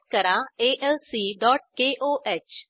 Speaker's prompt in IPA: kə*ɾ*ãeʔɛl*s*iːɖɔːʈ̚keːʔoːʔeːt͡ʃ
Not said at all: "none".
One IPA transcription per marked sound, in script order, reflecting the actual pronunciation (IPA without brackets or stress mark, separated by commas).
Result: ɾ, s